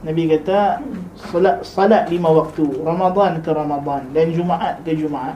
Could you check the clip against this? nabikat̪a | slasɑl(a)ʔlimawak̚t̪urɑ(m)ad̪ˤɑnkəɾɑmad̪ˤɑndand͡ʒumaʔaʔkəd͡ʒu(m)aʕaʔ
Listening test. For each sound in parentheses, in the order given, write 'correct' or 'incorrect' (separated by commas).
correct, correct, correct